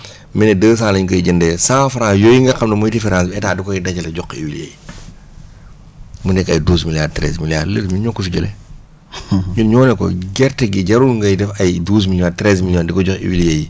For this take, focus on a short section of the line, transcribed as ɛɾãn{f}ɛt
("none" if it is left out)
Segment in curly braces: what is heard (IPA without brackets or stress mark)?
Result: s